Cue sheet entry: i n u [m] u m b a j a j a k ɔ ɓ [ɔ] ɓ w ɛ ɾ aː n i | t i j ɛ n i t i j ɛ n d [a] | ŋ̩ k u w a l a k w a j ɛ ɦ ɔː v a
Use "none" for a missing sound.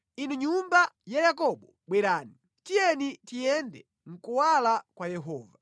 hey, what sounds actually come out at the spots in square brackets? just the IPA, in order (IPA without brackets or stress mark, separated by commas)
ɲ, ɔ, ɛ